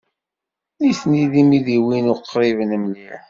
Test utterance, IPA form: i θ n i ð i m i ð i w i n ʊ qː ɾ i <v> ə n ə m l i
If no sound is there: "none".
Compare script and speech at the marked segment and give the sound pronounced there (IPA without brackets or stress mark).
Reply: v